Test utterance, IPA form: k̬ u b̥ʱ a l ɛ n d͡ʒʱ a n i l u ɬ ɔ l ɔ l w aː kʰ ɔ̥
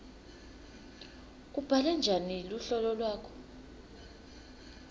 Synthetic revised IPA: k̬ u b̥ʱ a l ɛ n d͡ʒʱ a n i l u ɬ ɔ l ɔ l w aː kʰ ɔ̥